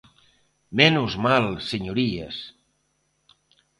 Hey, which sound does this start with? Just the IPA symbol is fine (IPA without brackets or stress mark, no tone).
m